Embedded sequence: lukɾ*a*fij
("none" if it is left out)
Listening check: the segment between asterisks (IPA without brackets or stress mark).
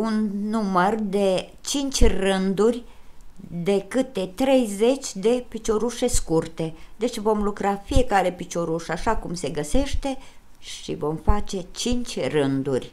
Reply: a